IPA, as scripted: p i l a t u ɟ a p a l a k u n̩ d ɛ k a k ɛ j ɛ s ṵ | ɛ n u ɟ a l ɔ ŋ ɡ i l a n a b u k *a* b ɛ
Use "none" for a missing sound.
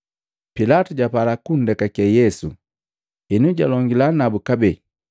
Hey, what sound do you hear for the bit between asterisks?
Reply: a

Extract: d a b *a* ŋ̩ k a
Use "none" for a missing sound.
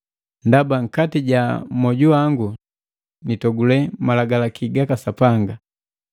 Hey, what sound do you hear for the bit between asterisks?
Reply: a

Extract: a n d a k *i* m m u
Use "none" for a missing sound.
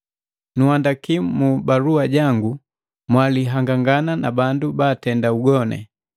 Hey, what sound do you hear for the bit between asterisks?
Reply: i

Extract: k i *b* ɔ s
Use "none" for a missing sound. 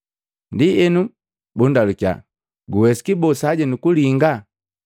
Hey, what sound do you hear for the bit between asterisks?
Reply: b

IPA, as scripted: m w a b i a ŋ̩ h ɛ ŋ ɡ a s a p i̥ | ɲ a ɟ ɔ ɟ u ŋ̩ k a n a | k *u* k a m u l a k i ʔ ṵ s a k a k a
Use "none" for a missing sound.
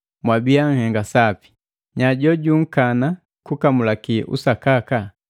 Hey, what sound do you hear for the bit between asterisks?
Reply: u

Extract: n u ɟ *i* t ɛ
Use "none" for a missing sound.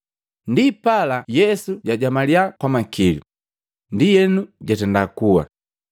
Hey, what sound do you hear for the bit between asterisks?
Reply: a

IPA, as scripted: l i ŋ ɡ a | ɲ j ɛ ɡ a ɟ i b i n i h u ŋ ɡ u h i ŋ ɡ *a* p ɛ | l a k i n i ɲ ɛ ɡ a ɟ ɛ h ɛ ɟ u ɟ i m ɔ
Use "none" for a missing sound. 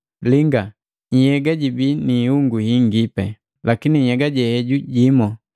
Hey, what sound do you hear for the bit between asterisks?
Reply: i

